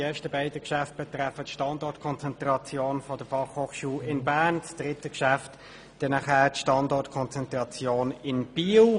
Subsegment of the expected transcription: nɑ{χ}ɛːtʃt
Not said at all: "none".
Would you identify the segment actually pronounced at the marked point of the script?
χ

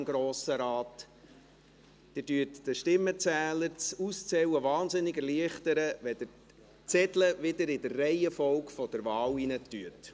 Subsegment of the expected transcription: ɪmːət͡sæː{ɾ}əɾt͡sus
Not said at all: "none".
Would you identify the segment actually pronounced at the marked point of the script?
l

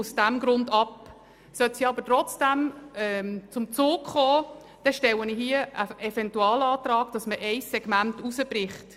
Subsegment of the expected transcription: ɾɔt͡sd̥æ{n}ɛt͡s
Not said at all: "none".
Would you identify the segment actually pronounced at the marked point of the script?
m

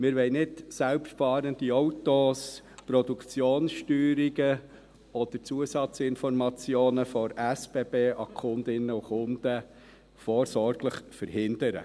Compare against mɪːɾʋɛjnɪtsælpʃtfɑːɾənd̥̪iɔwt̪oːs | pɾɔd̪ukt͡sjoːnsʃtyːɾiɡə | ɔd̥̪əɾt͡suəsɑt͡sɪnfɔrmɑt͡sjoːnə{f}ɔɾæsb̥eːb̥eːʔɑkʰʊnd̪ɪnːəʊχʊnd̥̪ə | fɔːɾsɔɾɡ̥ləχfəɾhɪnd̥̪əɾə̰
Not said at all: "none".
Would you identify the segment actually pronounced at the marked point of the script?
f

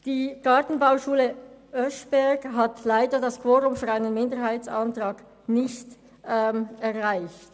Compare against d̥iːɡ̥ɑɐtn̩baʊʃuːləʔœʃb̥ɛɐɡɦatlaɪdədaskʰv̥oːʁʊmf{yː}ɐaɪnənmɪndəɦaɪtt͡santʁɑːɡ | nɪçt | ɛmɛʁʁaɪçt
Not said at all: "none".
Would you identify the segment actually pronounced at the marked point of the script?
yː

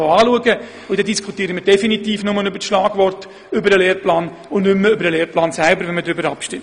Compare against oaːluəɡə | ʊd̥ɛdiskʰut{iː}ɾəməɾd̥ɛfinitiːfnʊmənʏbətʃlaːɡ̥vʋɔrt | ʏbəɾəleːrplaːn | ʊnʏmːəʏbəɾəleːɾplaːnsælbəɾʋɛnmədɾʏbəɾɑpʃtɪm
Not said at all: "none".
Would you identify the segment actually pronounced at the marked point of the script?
iː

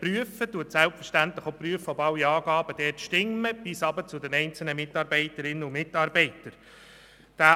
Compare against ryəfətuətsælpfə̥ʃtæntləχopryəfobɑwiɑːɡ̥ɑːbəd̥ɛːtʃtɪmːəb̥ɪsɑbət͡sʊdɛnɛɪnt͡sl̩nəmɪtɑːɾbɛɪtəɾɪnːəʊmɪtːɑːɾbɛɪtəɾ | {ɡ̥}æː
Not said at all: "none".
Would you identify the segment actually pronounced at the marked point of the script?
d̥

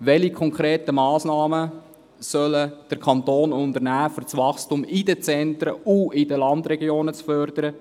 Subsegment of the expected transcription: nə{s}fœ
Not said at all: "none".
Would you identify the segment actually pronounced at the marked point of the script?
t͡s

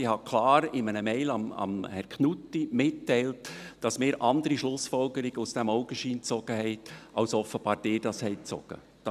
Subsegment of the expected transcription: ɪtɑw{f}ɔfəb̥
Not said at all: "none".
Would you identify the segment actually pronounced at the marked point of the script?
s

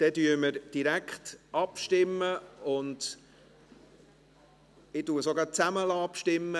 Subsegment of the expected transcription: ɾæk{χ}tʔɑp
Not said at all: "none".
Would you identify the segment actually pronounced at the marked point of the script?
χ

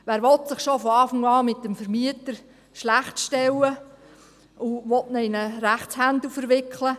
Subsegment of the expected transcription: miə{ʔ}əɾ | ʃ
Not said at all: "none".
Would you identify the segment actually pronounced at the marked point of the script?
t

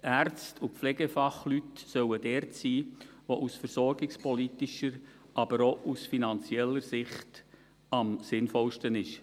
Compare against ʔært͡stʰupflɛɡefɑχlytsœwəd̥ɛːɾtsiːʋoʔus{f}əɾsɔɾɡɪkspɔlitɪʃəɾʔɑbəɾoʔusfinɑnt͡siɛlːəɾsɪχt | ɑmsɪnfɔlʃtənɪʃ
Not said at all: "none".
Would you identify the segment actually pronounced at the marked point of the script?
f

